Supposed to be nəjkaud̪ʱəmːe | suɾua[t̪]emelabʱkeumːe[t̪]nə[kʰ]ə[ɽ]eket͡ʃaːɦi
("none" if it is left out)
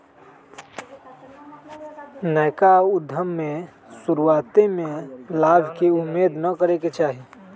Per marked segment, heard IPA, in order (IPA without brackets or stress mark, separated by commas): t̪, d̪, k, ɾ